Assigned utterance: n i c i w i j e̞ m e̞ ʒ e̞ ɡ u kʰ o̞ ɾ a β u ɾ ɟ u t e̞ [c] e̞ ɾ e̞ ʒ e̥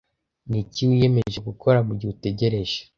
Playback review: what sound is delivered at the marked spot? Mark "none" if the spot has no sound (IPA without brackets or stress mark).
ɟ